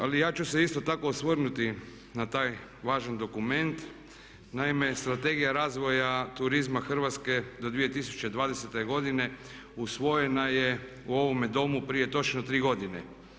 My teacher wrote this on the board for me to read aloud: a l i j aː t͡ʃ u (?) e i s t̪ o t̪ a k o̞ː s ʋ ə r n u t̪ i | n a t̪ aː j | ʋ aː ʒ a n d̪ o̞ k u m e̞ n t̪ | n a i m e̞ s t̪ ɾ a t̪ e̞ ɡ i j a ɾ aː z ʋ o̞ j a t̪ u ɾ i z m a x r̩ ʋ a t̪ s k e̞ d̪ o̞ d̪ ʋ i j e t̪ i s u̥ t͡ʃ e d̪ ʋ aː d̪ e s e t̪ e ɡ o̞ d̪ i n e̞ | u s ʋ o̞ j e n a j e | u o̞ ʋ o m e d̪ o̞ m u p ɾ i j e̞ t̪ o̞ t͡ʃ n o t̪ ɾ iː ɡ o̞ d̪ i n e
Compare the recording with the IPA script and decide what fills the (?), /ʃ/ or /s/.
s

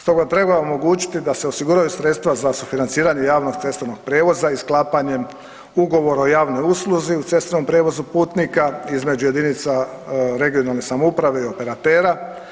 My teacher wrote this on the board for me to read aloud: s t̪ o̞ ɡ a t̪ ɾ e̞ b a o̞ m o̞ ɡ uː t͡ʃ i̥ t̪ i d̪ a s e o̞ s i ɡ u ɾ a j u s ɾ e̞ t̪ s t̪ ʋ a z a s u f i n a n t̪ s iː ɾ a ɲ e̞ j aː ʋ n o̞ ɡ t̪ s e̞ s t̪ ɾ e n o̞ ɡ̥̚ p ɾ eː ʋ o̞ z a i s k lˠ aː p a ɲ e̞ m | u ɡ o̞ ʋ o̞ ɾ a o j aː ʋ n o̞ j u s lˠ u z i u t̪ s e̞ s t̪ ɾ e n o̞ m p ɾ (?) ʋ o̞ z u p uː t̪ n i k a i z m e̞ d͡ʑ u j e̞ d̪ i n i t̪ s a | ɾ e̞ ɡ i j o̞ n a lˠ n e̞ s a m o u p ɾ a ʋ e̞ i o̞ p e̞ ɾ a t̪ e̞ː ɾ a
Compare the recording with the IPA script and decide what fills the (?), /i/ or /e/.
e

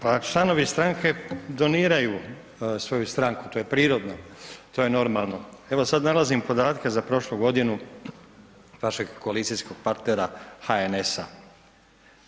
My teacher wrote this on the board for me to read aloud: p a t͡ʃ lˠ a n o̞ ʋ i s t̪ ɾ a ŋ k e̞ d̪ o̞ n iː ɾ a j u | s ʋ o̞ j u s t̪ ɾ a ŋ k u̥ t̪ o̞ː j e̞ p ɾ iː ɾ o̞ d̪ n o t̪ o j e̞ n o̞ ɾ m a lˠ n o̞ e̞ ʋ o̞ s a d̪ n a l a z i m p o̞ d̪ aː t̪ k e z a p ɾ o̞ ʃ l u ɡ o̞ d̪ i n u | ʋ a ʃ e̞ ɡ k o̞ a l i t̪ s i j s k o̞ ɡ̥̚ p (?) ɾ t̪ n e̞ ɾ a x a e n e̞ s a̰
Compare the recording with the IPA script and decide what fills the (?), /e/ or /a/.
a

